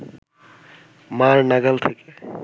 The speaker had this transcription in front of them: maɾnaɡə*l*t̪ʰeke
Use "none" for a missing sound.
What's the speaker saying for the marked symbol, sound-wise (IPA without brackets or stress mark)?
l